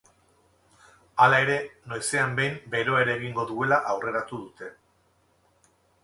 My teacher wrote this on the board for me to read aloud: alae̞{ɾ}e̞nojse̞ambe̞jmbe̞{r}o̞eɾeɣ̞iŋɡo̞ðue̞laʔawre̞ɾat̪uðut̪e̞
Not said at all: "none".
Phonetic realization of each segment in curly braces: ɾ, ɾ

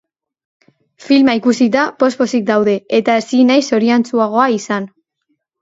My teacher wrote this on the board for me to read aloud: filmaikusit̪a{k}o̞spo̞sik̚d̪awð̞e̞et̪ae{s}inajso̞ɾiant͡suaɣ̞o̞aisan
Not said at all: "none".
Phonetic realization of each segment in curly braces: p, s

